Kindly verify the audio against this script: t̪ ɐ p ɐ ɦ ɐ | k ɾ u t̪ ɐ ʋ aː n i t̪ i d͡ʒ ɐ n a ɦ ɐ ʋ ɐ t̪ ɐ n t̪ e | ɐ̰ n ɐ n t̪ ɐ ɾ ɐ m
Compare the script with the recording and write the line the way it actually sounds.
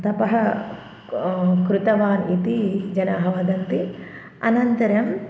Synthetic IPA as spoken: t̪ ɐ p ɐ ɦ ɐ | k ɾ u t̪ ɐ ʋ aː n i t̪ i d͡ʒ ɐ n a ɦ ɐ ʋ ɐ d̪ ɐ n t̪ i | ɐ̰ n ɐ n t̪ ɐ ɾ ɐ m